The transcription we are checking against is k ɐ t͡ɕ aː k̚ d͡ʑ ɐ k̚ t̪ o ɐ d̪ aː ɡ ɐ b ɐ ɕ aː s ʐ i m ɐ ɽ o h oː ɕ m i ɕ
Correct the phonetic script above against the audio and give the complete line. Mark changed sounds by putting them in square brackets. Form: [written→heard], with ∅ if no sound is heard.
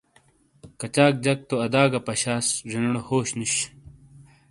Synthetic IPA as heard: k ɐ t͡ɕ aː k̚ d͡ʑ ɐ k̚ t̪ o ɐ d̪ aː ɡ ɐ [b→p] ɐ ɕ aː s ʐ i [m→n] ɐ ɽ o h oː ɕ [m→n] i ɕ